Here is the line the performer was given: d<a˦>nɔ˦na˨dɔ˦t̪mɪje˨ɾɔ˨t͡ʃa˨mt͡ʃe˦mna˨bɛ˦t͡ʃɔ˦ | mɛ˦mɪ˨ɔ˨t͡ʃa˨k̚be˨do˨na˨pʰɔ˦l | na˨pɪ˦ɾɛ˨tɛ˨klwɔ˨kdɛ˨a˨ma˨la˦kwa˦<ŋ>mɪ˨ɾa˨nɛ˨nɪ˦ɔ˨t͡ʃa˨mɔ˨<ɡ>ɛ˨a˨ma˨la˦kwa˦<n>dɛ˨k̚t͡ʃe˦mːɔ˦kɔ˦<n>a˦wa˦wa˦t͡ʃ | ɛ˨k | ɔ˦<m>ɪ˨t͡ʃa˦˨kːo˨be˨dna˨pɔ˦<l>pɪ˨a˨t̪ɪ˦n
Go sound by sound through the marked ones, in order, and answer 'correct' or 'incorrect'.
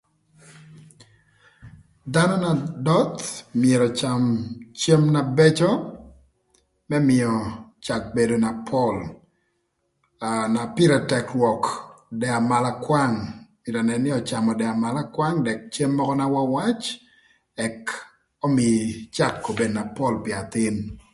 correct, correct, incorrect, incorrect, correct, correct, correct

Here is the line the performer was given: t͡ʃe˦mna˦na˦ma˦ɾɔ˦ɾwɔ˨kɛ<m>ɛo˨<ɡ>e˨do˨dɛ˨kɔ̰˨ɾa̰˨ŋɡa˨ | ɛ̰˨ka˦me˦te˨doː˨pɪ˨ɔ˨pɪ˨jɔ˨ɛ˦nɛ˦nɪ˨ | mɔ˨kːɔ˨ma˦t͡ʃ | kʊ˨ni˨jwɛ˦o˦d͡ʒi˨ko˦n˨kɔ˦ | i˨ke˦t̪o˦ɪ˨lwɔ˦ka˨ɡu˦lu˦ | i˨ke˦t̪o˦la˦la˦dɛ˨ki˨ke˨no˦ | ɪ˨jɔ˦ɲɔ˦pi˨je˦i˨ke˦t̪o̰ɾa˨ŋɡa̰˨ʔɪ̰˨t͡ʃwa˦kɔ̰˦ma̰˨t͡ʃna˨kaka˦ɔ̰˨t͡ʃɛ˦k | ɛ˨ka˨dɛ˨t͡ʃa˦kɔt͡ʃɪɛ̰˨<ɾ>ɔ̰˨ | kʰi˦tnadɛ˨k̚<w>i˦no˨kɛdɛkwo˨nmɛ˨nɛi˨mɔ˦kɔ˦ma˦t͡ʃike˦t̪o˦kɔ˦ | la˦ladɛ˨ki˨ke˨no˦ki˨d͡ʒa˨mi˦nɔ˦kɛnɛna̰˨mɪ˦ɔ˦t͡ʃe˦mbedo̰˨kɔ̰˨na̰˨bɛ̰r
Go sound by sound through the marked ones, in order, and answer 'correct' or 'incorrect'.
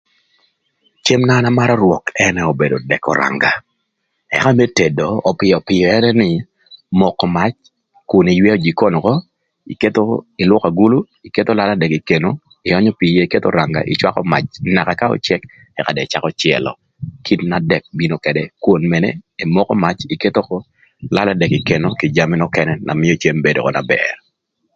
incorrect, incorrect, incorrect, incorrect

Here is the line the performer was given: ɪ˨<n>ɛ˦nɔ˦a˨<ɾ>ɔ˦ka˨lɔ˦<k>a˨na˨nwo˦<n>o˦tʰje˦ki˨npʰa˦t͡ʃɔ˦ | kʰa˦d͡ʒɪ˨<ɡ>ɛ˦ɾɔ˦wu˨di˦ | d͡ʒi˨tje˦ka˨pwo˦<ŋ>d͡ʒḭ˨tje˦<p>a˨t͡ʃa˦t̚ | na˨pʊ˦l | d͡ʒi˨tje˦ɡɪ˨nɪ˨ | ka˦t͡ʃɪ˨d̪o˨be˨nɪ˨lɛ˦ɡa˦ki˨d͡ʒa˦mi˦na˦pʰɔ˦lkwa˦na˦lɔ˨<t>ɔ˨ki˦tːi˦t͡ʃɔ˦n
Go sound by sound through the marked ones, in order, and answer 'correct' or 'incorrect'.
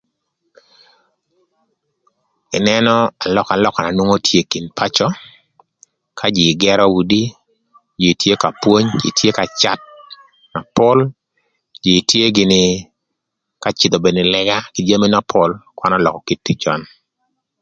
correct, incorrect, correct, incorrect, correct, incorrect, incorrect, incorrect

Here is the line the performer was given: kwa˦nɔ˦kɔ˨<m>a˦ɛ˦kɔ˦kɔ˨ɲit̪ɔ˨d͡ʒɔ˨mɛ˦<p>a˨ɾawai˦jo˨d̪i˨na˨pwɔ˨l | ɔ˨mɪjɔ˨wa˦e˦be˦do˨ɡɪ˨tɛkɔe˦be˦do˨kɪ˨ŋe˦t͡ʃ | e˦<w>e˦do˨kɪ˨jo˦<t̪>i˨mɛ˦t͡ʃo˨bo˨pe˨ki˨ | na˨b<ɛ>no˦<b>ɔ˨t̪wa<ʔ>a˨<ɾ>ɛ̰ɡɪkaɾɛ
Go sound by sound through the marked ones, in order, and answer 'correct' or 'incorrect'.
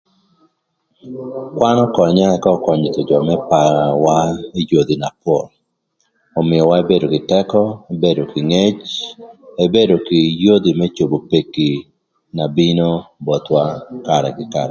incorrect, correct, incorrect, incorrect, incorrect, correct, incorrect, correct

